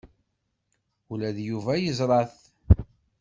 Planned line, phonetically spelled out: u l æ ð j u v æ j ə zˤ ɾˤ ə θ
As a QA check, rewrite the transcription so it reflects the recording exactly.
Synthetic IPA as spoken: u l æ ð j u v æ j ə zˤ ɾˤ ɑ θ